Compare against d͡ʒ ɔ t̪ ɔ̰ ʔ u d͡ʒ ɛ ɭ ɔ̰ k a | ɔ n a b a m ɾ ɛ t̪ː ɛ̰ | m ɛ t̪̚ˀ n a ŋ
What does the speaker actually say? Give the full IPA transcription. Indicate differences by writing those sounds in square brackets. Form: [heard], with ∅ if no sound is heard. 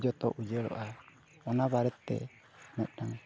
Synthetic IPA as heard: d͡ʒ ɔ t̪ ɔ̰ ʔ u d͡ʒ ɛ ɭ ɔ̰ [ʔ] a | ɔ n a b a [∅] ɾ ɛ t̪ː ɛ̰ | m ɛ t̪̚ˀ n a ŋ